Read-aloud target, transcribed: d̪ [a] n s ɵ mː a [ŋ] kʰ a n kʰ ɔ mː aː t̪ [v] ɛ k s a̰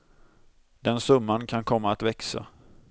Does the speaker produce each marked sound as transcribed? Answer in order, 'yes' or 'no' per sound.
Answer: no, no, yes

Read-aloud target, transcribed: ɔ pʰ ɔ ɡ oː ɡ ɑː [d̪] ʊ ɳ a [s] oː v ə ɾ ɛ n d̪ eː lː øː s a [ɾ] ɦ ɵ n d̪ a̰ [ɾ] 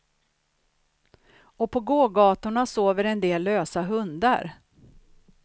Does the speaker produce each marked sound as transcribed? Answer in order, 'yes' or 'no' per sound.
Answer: no, yes, no, yes

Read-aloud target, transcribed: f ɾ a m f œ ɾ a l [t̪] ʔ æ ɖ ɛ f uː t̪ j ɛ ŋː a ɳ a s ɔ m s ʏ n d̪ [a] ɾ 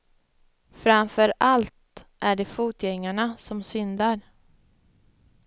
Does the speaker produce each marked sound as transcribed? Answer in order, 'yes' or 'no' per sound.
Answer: yes, yes

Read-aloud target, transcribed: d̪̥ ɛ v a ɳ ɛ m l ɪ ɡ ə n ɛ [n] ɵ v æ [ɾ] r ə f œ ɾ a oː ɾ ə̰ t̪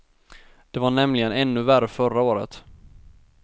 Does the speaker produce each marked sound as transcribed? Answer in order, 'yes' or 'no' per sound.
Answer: no, no

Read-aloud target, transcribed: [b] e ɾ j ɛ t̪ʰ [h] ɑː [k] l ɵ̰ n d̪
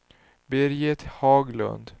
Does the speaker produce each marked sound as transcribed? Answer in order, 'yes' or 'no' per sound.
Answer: yes, yes, no

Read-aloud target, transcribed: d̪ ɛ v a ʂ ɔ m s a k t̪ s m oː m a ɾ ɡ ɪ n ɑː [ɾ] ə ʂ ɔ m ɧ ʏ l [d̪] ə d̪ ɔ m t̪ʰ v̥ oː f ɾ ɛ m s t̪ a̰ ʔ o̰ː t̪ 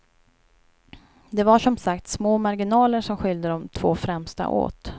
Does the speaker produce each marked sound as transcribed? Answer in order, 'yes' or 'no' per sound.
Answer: no, yes

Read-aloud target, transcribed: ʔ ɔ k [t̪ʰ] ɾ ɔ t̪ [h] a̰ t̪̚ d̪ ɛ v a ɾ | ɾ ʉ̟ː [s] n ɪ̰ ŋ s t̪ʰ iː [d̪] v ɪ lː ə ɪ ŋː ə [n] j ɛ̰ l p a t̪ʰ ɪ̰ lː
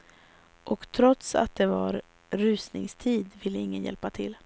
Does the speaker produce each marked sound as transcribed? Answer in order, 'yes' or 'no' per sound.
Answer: yes, no, yes, yes, yes

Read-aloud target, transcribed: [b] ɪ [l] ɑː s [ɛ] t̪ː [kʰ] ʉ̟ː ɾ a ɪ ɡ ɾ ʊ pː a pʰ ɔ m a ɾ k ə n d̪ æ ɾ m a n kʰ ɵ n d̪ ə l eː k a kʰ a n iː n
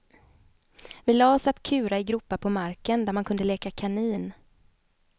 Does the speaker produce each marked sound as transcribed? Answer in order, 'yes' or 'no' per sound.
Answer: no, yes, no, yes

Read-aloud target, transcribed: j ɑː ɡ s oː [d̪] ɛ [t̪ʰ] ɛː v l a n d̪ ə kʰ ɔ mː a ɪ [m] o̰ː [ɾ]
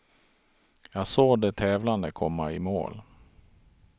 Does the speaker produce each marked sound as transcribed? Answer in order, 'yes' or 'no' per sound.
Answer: yes, yes, yes, no

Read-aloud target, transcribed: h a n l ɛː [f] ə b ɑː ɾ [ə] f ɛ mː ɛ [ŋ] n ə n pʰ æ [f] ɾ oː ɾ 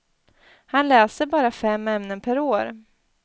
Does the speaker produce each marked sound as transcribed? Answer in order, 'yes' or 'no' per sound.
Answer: no, no, no, no

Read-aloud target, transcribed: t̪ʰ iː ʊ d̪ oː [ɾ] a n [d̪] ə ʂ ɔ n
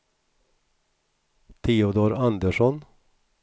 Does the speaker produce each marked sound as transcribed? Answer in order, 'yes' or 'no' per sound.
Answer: yes, yes

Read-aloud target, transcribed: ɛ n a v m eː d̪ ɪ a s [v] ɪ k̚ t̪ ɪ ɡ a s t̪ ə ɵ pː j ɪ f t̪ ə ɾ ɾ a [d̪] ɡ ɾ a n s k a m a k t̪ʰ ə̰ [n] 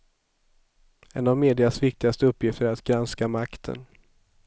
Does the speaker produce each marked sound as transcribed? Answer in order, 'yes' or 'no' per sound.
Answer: yes, no, yes

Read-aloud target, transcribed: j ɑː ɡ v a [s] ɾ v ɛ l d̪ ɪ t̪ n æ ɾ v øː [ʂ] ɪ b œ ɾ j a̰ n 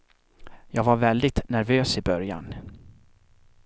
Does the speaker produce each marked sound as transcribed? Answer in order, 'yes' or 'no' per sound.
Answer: no, no

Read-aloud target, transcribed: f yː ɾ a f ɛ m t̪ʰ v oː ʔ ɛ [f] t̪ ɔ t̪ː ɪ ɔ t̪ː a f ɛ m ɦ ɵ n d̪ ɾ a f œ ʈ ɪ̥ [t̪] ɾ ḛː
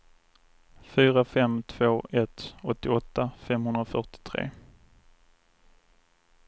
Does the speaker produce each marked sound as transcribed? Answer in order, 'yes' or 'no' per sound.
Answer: no, no

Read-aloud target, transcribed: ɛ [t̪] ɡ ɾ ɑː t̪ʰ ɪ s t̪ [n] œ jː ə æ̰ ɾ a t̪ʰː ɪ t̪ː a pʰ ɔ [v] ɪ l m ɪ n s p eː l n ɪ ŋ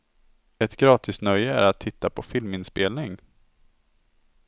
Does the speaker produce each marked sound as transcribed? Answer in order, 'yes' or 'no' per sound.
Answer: yes, yes, no

